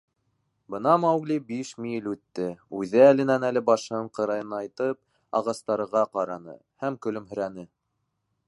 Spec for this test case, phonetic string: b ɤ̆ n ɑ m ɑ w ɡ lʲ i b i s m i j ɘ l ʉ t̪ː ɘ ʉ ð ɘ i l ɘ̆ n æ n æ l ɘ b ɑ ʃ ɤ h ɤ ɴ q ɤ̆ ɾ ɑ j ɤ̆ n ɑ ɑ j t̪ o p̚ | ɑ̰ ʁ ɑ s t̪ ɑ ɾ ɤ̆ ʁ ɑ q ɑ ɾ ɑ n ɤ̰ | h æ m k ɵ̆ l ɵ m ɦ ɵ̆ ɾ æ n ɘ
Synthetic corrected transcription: b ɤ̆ n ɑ m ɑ w ɡ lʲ i b i ʃ m i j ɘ l ʉ t̪ː ɘ ʉ ð ɘ æ l ɘ̆ n æ n æ l ɘ b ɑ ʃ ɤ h ɤ ɴ q ɤ̆ ɾ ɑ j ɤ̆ n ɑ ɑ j t̪ ɤ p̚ | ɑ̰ ʁ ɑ s t̪ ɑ ɾ ɤ̆ ʁ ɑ q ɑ ɾ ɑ n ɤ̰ | h æ m k ɵ̆ l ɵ m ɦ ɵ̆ ɾ æ n ɘ